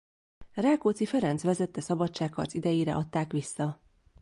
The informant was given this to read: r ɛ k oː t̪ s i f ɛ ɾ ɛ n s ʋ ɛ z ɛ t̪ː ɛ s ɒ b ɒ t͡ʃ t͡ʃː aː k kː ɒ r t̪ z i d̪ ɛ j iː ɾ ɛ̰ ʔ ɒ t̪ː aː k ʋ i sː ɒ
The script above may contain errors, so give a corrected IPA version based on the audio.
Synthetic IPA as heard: r ɛ k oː t̪ s i f ɛ ɾ ɛ n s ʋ ɛ z ɛ t̪ː ɛ s ɒ b ɒ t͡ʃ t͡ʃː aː k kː ɒ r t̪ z i d̪ ɛ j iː ɾ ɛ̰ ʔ ɒ t̪ː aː k ʋ i sː ɒ